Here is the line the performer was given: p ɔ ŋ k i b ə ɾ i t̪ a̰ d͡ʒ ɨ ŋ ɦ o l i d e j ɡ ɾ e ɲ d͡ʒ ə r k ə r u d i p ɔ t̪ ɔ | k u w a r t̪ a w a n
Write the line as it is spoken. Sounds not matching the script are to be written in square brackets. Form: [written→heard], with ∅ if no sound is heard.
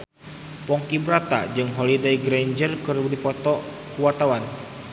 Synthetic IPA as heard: p ɔ ŋ k i b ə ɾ [i→a] t̪ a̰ d͡ʒ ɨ ŋ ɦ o l i d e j ɡ ɾ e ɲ d͡ʒ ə r k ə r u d i p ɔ t̪ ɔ | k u w a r t̪ a w a n